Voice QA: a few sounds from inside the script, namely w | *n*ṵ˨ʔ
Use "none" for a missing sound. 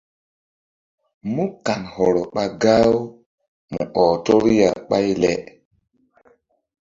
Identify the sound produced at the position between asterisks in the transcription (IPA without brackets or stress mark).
m